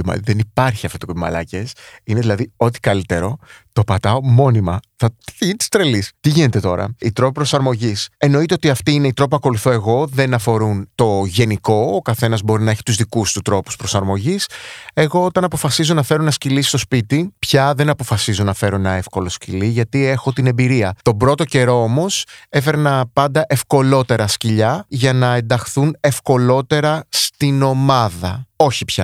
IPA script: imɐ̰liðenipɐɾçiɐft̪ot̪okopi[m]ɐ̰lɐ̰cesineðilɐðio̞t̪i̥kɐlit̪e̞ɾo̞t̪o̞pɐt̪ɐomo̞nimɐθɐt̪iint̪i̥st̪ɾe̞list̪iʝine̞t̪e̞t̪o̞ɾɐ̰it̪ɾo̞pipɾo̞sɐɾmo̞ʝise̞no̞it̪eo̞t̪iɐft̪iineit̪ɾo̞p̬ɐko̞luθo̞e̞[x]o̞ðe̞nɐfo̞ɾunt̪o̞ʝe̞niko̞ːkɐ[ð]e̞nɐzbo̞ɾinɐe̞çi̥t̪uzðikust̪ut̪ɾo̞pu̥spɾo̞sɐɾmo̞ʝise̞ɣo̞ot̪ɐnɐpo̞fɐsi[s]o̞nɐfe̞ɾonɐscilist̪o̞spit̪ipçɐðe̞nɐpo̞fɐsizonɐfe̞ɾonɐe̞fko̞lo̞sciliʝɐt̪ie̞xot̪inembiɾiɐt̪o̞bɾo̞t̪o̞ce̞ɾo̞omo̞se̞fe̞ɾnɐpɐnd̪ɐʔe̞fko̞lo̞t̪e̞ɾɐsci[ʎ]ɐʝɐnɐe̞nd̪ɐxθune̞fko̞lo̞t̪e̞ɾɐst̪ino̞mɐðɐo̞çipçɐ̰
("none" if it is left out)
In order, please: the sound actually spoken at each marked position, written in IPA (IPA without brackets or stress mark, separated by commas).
m, ɣ, θ, z, ʎ